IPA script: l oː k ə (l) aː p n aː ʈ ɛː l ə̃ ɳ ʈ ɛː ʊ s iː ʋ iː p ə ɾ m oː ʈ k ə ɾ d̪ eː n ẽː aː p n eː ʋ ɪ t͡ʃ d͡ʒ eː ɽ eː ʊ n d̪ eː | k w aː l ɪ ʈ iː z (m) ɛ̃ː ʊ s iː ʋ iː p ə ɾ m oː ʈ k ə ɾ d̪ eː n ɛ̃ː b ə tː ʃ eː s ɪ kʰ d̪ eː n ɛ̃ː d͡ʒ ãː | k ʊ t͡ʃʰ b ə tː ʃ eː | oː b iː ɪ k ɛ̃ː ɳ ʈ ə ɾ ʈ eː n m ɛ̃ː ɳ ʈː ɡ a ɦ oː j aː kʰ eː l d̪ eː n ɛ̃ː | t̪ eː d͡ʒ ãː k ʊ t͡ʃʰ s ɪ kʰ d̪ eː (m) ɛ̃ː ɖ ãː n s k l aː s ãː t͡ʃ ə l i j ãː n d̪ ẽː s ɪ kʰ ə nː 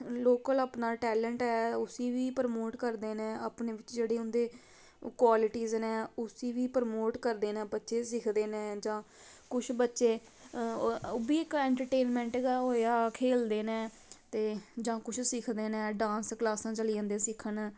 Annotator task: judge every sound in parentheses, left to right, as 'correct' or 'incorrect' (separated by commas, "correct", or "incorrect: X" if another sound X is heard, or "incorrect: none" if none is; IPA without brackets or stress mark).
correct, incorrect: n, incorrect: n